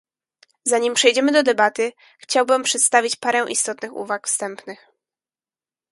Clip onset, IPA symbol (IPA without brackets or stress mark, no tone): z